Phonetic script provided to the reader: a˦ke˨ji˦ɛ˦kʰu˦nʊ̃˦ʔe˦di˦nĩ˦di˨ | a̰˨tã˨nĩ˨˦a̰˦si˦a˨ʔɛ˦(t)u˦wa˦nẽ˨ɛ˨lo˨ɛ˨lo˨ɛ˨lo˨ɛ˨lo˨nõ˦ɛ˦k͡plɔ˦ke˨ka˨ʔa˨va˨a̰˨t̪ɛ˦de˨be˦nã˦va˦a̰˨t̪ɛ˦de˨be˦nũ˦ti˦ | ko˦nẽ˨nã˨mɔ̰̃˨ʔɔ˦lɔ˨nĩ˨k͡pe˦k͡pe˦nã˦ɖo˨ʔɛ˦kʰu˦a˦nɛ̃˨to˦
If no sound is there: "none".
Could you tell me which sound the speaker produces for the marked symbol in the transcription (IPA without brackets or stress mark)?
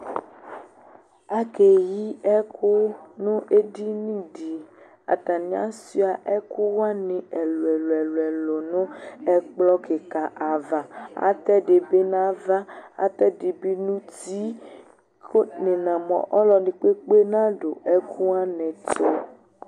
k